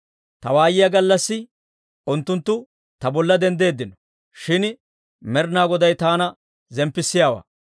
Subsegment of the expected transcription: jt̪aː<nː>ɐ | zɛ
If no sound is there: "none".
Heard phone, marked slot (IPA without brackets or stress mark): n